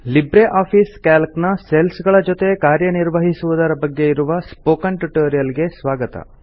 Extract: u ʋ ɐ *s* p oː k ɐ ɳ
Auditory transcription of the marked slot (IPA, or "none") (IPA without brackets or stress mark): s